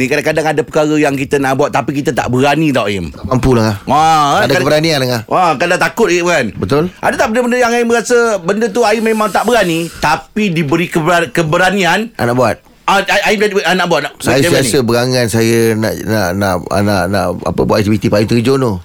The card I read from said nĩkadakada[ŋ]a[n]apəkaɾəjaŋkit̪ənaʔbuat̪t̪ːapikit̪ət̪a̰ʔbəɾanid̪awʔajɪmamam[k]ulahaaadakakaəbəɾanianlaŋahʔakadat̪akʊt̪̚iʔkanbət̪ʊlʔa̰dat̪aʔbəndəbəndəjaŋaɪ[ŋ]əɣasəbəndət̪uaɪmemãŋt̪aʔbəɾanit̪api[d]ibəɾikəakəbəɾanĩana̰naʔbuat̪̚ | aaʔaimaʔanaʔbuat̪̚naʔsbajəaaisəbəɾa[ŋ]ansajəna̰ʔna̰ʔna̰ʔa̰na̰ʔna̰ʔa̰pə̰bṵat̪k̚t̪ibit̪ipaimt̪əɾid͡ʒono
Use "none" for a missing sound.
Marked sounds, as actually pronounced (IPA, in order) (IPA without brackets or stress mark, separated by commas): ŋ, d, p, m, d, ŋ